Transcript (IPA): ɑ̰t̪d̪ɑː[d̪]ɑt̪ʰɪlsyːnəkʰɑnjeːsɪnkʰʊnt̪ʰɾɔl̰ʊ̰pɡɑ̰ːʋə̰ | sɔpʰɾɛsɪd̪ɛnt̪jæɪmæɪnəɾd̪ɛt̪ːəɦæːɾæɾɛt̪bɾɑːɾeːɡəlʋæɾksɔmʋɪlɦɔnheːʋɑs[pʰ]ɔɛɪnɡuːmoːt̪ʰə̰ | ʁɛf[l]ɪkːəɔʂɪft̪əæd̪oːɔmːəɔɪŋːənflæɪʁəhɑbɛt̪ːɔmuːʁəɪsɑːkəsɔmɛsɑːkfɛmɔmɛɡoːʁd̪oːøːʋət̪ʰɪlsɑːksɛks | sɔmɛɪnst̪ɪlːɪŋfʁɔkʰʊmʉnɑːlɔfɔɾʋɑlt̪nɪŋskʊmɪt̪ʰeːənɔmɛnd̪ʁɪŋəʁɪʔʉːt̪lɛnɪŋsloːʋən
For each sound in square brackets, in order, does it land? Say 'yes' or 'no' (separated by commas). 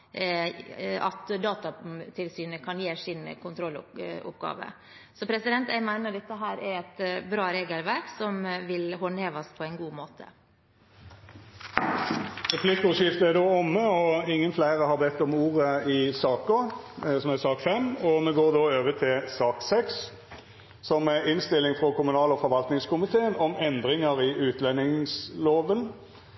no, yes, yes